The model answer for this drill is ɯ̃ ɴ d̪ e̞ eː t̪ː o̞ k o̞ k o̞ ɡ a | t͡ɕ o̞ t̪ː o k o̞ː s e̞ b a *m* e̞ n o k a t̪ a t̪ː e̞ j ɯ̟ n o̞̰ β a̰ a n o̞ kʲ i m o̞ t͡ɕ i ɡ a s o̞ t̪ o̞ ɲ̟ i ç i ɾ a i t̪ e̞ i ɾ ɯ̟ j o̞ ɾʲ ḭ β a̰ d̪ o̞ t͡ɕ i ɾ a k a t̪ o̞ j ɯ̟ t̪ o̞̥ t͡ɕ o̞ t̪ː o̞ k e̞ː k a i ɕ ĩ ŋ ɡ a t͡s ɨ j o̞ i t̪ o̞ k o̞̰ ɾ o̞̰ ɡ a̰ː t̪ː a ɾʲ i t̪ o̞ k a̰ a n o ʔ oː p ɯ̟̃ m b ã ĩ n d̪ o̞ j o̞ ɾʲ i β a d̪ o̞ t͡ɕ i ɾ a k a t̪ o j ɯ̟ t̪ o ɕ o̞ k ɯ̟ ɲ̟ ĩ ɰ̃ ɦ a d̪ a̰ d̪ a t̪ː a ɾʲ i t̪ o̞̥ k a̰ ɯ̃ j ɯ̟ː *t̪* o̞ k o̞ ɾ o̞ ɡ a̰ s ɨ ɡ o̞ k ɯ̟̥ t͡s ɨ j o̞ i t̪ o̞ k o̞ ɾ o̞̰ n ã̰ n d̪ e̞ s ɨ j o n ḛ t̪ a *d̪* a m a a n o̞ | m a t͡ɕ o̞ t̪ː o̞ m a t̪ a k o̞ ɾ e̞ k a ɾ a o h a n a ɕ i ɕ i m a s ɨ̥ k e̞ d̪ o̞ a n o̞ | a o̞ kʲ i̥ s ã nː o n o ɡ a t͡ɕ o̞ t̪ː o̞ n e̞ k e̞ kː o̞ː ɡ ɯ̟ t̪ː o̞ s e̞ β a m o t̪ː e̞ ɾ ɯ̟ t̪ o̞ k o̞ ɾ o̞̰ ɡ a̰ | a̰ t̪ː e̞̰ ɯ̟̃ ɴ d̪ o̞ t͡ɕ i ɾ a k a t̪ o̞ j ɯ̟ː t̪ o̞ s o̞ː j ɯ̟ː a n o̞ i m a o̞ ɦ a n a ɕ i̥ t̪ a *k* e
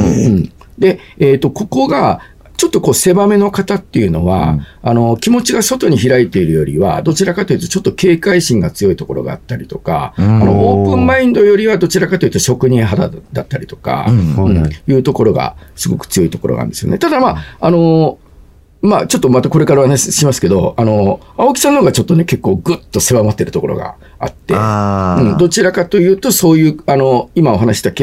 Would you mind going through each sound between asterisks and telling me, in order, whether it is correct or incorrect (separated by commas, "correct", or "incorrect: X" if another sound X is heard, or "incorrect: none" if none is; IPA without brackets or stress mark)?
correct, correct, correct, correct